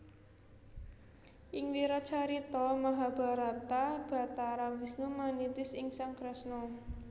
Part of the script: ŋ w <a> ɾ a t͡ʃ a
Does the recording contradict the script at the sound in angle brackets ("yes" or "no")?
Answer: yes